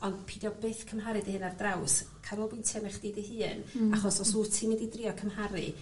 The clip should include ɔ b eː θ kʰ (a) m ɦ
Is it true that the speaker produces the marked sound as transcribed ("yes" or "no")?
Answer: no